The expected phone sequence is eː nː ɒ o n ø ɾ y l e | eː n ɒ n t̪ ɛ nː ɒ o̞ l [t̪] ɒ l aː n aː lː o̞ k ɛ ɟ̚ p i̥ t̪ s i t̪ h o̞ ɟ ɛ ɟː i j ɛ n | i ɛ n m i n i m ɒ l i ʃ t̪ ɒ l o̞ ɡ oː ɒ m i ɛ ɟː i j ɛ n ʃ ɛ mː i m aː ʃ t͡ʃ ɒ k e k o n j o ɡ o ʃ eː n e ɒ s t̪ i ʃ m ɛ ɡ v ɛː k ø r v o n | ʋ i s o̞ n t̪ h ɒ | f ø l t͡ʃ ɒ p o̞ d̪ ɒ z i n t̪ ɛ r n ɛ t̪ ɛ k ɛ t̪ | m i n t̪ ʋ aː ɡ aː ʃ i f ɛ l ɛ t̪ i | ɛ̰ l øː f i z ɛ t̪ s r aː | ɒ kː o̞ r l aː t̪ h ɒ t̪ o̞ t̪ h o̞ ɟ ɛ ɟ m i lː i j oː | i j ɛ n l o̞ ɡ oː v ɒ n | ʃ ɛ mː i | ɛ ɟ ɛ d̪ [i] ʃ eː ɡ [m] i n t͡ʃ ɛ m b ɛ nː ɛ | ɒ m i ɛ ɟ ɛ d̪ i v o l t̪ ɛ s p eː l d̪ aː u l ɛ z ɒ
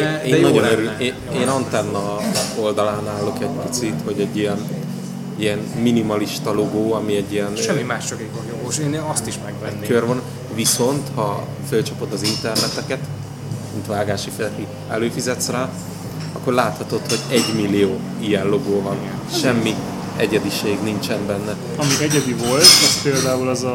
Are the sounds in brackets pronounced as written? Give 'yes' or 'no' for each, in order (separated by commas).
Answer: no, yes, no